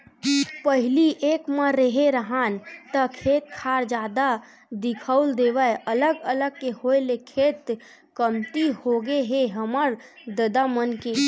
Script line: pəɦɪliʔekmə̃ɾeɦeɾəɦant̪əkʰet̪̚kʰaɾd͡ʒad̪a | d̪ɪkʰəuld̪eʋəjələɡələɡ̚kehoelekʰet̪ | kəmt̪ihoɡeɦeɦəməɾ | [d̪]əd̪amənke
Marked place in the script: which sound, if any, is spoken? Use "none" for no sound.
d̪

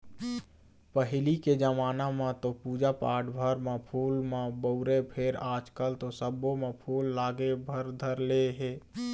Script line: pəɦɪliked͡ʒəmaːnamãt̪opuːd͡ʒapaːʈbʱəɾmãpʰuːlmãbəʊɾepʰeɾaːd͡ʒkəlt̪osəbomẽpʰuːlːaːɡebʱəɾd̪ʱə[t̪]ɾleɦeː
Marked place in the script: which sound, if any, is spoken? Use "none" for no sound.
none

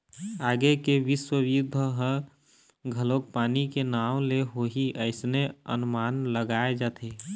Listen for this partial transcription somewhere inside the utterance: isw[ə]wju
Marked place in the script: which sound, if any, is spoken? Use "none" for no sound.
ə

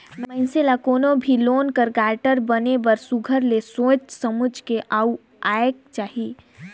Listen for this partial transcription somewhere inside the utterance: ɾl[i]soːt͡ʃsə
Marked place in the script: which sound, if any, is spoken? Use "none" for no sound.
e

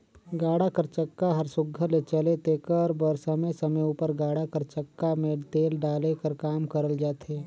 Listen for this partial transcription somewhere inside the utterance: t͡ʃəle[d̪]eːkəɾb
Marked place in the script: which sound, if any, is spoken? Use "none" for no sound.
t̪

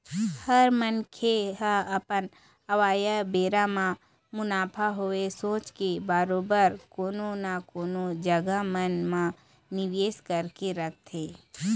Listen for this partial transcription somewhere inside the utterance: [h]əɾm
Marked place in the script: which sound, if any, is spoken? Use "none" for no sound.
h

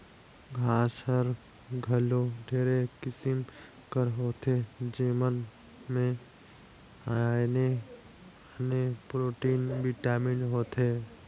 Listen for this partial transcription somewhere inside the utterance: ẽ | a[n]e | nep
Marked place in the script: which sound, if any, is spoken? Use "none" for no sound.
n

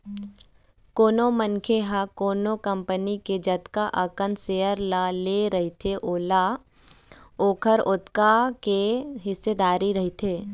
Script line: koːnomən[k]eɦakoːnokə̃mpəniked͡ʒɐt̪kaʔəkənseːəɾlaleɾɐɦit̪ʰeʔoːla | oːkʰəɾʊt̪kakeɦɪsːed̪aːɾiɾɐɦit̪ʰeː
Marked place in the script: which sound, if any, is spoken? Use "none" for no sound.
kʰ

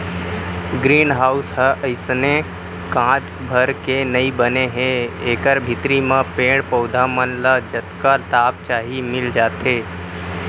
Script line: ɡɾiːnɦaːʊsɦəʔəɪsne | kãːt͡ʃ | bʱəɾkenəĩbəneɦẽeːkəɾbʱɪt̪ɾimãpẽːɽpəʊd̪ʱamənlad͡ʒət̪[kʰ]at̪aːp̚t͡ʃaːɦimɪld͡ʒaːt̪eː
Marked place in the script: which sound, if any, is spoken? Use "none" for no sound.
k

